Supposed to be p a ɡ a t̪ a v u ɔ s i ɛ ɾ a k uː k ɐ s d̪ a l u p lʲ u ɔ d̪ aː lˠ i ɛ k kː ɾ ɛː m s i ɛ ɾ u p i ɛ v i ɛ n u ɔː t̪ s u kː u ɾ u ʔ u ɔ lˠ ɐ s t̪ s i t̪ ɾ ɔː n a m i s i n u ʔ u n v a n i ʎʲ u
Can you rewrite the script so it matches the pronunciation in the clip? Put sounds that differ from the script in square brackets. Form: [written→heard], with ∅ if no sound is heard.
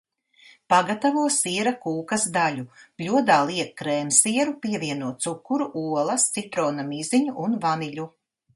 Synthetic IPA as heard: p a ɡ a t̪ a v u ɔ s i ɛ ɾ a k uː k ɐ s d̪ a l u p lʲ u ɔ d̪ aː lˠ i ɛ k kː ɾ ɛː m s i ɛ ɾ u p i ɛ v i ɛ n u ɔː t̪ s u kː u ɾ u ʔ u ɔ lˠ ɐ s t̪ s i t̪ ɾ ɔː n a m i [s→z] i [n→ɲ] u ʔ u n v a n i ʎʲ u